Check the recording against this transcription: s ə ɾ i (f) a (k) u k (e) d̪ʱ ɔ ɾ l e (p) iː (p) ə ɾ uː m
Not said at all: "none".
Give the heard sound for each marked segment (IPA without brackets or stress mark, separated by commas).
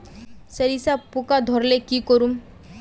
s, p, a, k, k